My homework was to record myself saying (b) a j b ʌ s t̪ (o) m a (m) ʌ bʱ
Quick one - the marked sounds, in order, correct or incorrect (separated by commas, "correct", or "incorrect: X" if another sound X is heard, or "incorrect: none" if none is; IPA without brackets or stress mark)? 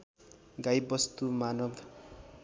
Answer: incorrect: ɡ, incorrect: u, incorrect: n